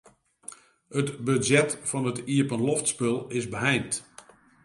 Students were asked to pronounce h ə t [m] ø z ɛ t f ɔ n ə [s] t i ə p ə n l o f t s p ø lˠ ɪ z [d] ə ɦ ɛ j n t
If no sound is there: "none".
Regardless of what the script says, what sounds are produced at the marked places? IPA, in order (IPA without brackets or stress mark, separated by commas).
b, none, b